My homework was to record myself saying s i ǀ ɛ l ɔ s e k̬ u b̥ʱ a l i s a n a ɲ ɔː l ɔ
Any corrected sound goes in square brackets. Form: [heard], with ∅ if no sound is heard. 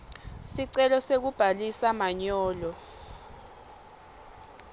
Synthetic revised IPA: s i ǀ ɛ l ɔ s e k̬ u b̥ʱ a l i s a [m] a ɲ ɔː l ɔ

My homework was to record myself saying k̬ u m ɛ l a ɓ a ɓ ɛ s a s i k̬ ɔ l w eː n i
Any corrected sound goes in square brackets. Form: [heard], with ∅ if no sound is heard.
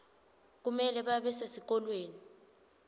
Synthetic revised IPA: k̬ u m ɛ l [ɛ] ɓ a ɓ ɛ s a s i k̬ ɔ l w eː n i

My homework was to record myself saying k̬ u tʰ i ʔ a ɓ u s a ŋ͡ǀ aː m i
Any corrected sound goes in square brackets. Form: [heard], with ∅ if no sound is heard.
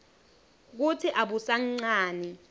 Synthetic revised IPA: k̬ u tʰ i ʔ a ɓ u s a ŋ͡ǀ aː [n] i

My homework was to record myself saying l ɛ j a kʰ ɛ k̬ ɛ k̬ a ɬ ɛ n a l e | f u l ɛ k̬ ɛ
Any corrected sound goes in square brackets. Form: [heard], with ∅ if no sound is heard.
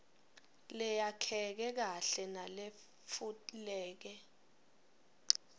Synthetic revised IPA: l ɛ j a kʰ ɛ k̬ ɛ k̬ a ɬ ɛ n a l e | f u l [ɛː] k̬ ɛ

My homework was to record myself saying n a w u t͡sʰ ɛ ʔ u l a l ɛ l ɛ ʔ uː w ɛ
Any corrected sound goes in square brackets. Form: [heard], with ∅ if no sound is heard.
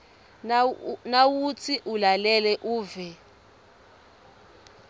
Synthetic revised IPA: n a w u t͡sʰ [i] ʔ u l a l ɛ l ɛ ʔ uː [v] ɛ

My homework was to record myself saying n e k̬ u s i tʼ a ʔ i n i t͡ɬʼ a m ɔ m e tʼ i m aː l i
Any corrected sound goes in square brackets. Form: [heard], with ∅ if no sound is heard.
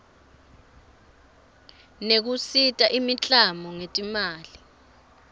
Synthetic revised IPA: n e k̬ u s i tʼ a ʔ i [m] i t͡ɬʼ a m ɔ [ŋ] e tʼ i m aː l i

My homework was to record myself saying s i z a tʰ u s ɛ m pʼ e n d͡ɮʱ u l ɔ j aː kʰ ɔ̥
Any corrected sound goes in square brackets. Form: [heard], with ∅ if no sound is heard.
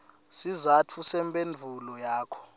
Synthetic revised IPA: s i z a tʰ u s ɛ m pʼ e n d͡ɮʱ u l ɔ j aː kʰ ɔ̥

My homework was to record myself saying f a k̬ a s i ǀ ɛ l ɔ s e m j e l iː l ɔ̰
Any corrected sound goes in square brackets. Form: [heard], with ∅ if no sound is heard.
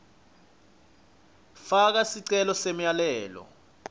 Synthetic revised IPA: f a k̬ a s i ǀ ɛ l ɔ s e m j [a] l [ɛː] l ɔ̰

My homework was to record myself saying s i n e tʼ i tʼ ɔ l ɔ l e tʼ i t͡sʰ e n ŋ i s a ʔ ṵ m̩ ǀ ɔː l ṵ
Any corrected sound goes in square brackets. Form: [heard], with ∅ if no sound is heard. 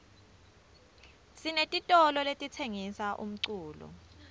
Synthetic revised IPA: s i n e tʼ i tʼ ɔ l ɔ l e tʼ i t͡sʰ e [∅] ŋ i s a ʔ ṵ m̩ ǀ [uː] l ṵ

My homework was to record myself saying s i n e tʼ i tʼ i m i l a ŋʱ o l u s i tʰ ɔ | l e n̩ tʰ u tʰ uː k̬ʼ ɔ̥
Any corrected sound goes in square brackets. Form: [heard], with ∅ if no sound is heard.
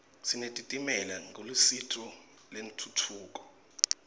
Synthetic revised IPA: s i n e tʼ i tʼ i m [ɛ] l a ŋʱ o l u s i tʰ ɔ | l e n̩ tʰ u tʰ uː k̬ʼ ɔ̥

